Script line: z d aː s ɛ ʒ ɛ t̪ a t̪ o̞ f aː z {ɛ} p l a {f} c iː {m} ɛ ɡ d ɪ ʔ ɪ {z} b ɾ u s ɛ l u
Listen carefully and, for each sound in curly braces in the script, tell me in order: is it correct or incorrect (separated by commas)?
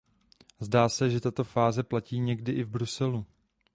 correct, incorrect, incorrect, incorrect